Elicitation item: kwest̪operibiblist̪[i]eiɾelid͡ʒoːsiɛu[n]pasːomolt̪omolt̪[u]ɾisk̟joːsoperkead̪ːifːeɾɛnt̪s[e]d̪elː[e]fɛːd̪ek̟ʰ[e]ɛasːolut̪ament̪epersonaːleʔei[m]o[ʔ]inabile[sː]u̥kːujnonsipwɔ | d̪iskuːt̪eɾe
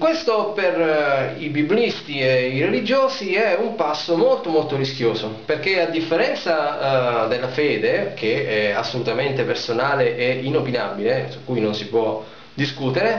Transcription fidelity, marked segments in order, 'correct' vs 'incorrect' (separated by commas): correct, incorrect, incorrect, incorrect, incorrect, correct, incorrect, incorrect, incorrect